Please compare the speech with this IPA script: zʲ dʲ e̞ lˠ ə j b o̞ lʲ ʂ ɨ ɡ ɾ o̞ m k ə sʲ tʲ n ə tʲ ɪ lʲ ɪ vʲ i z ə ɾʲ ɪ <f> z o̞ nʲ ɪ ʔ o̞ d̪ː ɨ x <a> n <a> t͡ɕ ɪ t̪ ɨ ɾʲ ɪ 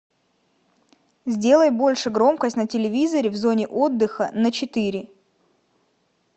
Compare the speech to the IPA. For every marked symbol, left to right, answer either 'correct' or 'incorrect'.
incorrect: v, incorrect: ə, incorrect: ə

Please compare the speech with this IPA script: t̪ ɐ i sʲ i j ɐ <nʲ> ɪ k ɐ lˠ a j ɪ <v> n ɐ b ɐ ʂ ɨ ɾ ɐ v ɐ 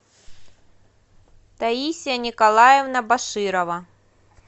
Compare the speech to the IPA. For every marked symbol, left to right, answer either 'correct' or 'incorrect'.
correct, correct

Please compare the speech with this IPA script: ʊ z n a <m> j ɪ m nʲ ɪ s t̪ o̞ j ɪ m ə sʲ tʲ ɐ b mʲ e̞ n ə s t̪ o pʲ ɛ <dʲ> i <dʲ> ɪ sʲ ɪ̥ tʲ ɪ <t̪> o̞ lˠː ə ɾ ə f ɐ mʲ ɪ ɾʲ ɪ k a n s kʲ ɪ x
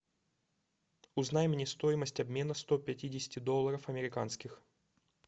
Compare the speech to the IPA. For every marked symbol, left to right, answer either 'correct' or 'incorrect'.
incorrect: none, incorrect: tʲ, correct, incorrect: d̪

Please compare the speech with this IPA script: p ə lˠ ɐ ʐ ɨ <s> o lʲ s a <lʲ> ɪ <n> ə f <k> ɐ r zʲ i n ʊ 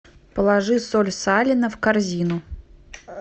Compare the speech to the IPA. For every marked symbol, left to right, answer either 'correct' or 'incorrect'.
correct, correct, correct, correct

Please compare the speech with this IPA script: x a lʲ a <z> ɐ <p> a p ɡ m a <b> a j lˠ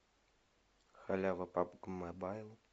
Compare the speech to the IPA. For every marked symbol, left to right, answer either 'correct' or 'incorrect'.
incorrect: v, correct, correct

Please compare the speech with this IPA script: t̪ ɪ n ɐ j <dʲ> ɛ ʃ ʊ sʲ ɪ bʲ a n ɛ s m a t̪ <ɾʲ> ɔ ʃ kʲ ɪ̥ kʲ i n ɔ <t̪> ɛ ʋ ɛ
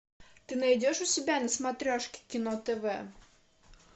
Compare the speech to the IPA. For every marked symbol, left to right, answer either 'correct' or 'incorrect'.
correct, correct, correct

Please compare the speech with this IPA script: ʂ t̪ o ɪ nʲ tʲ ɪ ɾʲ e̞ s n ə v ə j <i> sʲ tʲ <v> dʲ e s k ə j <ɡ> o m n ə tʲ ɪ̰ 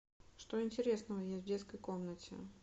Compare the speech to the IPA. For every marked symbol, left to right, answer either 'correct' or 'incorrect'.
incorrect: e, correct, incorrect: k

